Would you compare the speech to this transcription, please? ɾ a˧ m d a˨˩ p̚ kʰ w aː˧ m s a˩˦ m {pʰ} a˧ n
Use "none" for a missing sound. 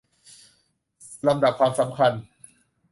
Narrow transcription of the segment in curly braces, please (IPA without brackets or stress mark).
kʰ